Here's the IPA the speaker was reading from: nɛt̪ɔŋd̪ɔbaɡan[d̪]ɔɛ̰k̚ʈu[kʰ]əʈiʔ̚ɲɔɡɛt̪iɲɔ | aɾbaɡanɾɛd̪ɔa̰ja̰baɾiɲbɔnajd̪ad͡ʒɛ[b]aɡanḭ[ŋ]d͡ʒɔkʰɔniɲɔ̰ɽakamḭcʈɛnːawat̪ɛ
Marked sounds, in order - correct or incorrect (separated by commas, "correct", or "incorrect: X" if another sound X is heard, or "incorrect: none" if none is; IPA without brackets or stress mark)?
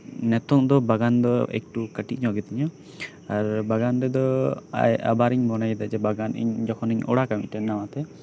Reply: correct, incorrect: k, correct, incorrect: ɲ